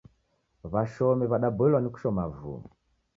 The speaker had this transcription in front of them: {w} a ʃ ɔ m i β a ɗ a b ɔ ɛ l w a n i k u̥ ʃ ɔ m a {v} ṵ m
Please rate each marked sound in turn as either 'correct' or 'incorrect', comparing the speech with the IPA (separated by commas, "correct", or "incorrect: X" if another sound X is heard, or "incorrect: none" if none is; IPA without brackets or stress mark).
incorrect: β, correct